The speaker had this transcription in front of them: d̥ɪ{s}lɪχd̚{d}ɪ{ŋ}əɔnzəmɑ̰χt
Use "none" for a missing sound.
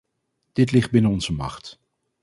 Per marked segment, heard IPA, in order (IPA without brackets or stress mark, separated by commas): t, b, n